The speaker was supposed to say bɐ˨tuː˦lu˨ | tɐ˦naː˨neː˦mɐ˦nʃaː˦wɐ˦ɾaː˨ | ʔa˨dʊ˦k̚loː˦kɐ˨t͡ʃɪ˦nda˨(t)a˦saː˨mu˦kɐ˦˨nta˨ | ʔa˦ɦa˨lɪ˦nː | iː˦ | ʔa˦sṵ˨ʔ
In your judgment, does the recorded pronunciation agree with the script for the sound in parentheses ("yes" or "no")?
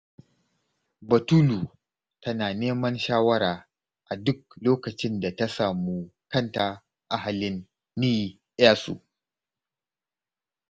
yes